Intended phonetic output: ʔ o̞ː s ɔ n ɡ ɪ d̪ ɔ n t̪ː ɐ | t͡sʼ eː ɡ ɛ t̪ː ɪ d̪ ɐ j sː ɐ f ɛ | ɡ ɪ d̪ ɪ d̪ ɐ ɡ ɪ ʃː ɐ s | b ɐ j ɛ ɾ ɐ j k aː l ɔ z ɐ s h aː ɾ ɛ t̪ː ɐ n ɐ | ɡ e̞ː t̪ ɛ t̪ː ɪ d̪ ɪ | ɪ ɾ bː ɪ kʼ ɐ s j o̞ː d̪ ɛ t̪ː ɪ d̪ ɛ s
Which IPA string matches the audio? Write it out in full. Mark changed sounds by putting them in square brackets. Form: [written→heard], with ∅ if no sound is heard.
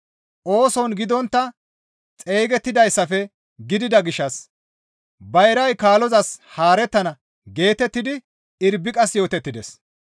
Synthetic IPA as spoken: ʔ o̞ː s ɔ n ɡ ɪ d̪ ɔ n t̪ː ɐ | t͡sʼ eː ɡ ɛ t̪ː ɪ d̪ ɐ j sː ɐ f ɛ | ɡ ɪ d̪ ɪ d̪ ɐ ɡ ɪ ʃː ɐ s | b ɐ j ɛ ɾ ɐ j k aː l ɔ z ɐ s h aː ɾ ɛ t̪ː ɐ n ɐ | ɡ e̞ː t̪ ɛ t̪ː ɪ d̪ ɪ | ɪ ɾ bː ɪ kʼ ɐ s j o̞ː [d̪→t̪] ɛ t̪ː ɪ d̪ ɛ s